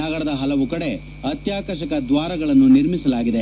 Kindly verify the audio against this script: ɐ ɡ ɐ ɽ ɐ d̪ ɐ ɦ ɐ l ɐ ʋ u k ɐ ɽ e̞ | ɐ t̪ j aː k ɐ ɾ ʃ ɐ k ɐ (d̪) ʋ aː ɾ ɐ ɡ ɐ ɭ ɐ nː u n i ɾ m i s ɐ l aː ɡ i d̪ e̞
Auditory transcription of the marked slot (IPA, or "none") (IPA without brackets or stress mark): d̪